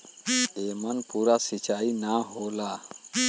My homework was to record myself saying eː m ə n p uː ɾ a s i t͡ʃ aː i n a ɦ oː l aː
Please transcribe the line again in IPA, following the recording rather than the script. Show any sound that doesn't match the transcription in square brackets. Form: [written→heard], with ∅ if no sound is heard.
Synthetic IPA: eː m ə n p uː ɾ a s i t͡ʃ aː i n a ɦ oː l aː

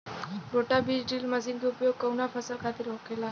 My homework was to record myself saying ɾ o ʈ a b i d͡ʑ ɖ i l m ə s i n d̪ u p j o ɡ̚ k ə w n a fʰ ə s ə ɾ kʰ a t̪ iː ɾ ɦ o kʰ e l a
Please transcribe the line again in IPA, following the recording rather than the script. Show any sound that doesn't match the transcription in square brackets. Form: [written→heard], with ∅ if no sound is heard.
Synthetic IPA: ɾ o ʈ a b i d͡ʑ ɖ i l m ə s i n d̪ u p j o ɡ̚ k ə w n a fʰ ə s ə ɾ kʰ a t̪ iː ɾ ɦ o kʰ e l a

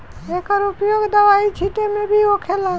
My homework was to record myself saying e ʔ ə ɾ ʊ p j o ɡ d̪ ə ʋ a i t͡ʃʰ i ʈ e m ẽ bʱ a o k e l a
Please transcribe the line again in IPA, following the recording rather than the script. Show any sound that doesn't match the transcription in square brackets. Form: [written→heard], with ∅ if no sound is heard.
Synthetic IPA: e [ʔ→k] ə ɾ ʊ p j o ɡ d̪ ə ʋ a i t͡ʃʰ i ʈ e m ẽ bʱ [a→i] o [k→kʰ] e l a

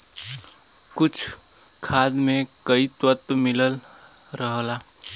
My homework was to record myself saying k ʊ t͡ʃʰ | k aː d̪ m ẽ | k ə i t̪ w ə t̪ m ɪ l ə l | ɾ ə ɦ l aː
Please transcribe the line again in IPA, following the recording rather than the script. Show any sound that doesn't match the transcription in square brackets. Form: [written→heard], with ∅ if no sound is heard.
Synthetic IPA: k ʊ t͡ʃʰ | [k→kʰ] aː d̪ m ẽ | k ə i t̪ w ə t̪ m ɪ l ə l | ɾ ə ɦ l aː

